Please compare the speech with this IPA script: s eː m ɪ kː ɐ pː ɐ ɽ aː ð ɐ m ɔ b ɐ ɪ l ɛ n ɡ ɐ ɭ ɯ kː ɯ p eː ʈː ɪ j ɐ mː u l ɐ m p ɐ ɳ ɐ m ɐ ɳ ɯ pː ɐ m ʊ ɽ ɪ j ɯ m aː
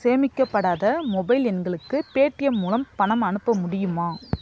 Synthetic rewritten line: s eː m ɪ kː ɐ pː ɐ ɽ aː ð ɐ m ɔ b ɐ ɪ l ɛ n ɡ ɐ ɭ ɯ kː ɯ p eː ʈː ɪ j ɐ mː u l ɐ m p ɐ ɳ ɐ m ɐ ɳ ɯ pː ɐ m ʊ ɽ ɪ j ɯ m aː